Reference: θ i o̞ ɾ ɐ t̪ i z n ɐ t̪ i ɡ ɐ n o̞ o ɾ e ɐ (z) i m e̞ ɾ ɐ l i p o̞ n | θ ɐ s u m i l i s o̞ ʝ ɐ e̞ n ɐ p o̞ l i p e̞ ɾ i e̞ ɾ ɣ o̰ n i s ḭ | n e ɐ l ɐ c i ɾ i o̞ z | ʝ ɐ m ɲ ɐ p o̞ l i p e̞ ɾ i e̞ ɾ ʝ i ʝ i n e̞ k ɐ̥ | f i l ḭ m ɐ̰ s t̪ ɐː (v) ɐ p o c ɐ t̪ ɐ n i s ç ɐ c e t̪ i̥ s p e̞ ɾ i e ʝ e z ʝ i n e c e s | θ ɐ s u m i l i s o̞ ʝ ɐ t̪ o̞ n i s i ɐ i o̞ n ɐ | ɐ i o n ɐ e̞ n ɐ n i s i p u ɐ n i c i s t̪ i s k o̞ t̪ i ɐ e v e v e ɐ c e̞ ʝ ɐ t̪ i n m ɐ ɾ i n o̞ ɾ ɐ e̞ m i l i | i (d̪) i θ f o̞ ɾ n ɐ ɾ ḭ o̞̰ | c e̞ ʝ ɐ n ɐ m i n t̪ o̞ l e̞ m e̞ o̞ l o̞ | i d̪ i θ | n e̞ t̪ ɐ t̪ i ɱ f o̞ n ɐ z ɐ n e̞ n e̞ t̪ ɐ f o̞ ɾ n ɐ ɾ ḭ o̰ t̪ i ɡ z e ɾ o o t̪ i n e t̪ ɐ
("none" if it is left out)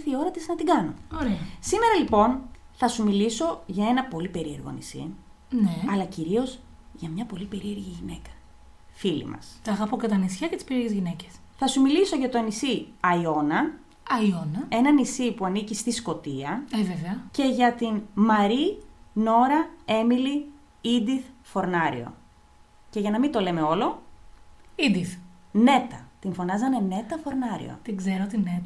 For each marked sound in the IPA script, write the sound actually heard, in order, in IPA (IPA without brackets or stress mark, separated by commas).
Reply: s, ɣ, d̪